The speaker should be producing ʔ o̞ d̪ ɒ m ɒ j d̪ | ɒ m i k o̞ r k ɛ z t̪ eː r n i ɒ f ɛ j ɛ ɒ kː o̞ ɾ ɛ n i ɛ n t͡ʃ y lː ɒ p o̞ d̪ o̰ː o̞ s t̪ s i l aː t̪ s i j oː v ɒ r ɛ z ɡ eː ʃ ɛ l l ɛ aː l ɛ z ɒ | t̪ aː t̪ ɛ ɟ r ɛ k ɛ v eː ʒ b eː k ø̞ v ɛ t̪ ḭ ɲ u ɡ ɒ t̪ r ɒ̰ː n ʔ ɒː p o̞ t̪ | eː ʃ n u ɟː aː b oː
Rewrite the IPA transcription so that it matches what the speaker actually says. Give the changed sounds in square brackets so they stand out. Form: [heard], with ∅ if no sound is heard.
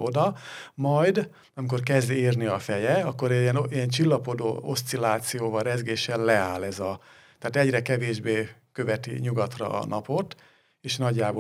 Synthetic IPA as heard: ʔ o̞ d̪ ɒ m ɒ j d̪ | ɒ m i k o̞ r k ɛ z [d̪] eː r n i ɒ f ɛ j ɛ ɒ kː o̞ ɾ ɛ n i ɛ n t͡ʃ [i] lː ɒ p o̞ d̪ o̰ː o̞ s t̪ s i l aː t̪ s i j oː v ɒ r ɛ z ɡ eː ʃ ɛ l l ɛ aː l ɛ z ɒ | t̪ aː t̪ ɛ ɟ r ɛ k ɛ v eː ʒ b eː k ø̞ v ɛ t̪ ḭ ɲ u ɡ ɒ t̪ r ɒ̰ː n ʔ [ɒ] p o̞ t̪ | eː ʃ n [ɒ] ɟː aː b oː